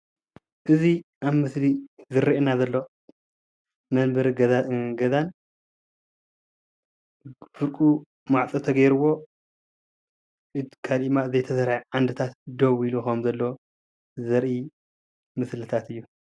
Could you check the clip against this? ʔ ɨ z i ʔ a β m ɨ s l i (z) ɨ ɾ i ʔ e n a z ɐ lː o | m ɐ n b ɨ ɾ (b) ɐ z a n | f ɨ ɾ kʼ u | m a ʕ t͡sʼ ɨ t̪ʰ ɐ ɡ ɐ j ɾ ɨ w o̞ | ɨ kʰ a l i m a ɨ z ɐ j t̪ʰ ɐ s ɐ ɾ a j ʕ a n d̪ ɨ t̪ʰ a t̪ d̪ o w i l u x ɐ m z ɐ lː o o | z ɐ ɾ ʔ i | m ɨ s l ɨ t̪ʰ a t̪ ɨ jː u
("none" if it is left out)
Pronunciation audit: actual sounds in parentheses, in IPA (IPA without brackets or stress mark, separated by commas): z, ɡ